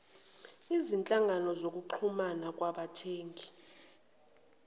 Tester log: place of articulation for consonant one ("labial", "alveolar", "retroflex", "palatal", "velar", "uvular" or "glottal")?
alveolar